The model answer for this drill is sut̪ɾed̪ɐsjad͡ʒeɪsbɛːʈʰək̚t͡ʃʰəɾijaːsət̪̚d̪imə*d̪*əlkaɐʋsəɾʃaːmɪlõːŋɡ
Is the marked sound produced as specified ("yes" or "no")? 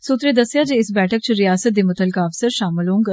no